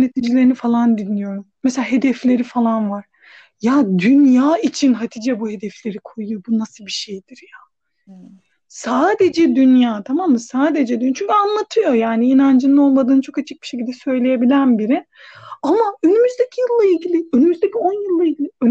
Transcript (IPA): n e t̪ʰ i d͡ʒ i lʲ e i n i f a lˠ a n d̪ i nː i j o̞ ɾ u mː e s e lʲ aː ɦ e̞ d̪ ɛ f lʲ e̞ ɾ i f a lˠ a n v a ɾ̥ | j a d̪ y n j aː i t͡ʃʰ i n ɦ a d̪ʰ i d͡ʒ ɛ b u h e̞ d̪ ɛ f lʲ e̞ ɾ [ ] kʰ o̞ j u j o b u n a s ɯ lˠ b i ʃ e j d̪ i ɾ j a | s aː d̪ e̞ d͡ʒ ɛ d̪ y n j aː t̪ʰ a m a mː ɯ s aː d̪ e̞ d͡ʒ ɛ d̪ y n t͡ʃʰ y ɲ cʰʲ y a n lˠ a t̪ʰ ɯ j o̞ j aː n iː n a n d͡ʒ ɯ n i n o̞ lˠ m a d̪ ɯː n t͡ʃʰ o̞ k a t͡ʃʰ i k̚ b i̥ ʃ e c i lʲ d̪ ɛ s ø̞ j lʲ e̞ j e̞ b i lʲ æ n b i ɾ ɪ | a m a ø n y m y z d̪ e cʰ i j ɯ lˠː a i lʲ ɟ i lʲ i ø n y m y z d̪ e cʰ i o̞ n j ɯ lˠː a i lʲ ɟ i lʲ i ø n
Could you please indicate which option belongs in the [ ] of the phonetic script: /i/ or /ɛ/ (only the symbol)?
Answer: i